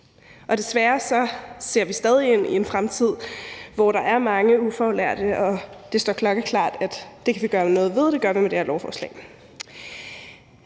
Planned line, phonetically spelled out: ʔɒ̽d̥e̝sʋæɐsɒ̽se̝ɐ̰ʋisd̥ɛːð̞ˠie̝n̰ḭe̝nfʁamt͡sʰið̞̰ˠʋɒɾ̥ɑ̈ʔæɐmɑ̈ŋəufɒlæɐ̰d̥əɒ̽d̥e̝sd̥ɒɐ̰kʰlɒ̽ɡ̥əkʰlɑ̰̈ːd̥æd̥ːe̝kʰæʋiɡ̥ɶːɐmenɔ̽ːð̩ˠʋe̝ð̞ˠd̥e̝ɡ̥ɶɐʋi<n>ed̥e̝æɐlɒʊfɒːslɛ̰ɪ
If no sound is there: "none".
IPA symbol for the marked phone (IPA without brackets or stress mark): m